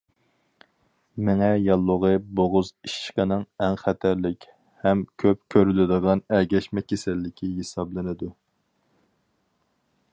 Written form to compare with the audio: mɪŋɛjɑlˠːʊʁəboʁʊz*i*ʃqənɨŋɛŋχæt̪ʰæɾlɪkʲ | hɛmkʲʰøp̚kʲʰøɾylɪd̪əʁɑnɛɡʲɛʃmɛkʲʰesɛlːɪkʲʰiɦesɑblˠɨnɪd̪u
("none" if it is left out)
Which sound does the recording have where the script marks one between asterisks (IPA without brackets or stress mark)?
i